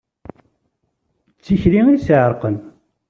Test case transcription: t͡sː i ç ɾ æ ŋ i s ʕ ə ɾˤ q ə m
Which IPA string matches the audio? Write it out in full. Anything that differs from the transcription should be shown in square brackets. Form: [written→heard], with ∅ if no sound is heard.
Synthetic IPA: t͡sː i ç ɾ [æ→i] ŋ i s ʕ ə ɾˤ q ə [m→n]